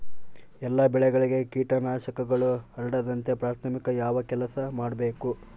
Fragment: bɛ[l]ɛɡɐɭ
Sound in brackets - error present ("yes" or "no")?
yes